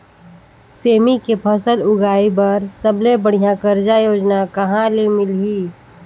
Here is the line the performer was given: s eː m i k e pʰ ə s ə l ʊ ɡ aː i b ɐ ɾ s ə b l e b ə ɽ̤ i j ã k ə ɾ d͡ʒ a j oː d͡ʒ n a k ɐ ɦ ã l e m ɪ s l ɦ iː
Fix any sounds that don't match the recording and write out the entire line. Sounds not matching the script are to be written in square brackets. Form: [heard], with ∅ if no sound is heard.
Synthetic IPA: s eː m i k e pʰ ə s ə l ʊ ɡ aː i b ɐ ɾ s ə b l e b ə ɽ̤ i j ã k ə ɾ d͡ʒ a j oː d͡ʒ n a k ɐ ɦ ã l e m ɪ [∅] l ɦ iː